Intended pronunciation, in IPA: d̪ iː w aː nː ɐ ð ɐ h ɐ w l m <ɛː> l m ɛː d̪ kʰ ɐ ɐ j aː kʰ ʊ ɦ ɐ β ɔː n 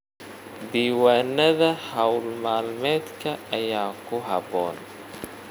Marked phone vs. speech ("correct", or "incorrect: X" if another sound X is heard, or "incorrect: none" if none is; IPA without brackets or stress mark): incorrect: aː